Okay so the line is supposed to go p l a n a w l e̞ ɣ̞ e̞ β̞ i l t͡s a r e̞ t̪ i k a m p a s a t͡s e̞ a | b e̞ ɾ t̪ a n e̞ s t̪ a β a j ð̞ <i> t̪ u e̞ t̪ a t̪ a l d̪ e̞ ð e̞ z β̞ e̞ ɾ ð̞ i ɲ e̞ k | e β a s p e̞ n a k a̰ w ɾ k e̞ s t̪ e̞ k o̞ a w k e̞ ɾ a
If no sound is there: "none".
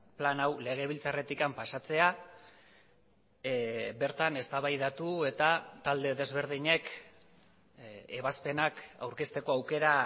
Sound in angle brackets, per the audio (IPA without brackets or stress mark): a